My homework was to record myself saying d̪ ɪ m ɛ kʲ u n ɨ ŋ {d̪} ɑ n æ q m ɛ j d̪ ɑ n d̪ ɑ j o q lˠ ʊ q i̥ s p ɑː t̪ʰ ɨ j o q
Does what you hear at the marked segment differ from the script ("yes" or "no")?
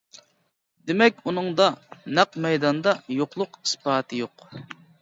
no